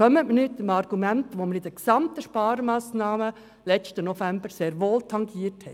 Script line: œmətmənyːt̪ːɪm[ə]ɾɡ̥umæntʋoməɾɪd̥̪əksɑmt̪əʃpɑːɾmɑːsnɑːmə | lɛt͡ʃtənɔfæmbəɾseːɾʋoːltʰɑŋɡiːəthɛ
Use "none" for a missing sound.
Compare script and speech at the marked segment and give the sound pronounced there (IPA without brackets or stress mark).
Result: ɑ